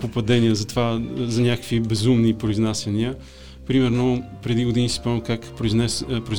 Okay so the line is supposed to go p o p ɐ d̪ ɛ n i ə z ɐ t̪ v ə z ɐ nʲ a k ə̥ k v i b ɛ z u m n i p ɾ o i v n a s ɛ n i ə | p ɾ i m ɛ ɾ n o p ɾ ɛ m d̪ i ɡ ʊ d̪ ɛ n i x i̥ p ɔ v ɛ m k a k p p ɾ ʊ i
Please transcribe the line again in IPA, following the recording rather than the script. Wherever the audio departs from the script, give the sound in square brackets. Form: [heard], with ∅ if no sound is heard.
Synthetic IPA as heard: p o p ɐ d̪ ɛ n i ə z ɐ t̪ v [a] z ɐ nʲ a k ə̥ k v i b ɛ z u m n i p ɾ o i [z] n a s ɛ n i ə | p ɾ i m ɛ ɾ n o p ɾ ɛ [∅] d̪ i ɡ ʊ d̪ [i] n i [s] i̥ p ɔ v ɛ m k a k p p ɾ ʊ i